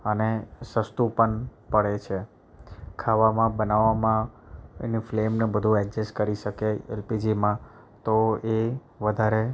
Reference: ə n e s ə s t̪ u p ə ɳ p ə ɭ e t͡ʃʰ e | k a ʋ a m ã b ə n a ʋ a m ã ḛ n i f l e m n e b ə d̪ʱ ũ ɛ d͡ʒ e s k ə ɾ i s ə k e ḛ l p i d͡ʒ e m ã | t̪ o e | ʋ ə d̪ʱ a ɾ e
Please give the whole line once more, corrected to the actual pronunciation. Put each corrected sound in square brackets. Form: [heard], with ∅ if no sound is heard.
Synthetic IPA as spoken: ə n e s ə s t̪ u p ə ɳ p ə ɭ e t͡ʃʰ e | [kʰ] a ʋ a m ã b ə n a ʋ a m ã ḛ n i f l e m n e b ə d̪ʱ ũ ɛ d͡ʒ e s k ə ɾ i [ʃ] ə k e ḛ l p i d͡ʒ [i] m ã | t̪ o e | ʋ ə d̪ʱ a ɾ e